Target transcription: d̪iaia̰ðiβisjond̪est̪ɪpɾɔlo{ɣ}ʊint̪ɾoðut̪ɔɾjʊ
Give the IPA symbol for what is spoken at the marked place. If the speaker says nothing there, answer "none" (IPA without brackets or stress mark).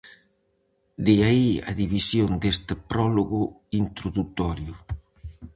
ɣ